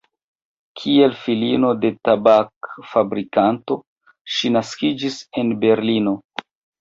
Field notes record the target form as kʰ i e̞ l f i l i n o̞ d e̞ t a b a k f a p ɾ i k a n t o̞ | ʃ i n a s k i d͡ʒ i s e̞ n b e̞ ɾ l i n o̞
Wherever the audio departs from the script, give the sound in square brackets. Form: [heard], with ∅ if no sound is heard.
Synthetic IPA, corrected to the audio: kʰ i e̞ l f i l i n o̞ d e̞ t a b a k f a [b] ɾ i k a n t o̞ | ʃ i n a s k i d͡ʒ i s e̞ n b e̞ ɾ l i n o̞